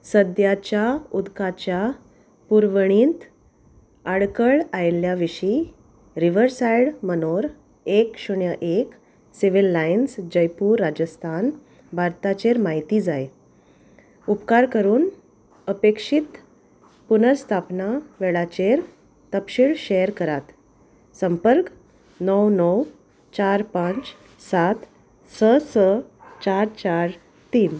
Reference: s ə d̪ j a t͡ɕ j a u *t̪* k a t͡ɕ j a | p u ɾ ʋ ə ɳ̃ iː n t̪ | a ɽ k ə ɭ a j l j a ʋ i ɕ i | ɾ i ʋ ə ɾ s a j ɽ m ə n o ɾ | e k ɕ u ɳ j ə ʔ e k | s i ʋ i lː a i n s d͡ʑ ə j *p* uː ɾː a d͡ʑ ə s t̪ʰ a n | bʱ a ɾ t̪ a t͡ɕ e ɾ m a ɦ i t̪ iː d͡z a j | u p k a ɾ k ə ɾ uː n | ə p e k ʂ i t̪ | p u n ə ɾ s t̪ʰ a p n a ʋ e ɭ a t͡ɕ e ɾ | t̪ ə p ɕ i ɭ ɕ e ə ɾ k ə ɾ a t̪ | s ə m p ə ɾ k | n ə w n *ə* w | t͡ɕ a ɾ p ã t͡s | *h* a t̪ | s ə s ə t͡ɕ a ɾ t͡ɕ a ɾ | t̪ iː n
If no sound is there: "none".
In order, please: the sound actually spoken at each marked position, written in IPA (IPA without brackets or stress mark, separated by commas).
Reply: d̪, p, ə, s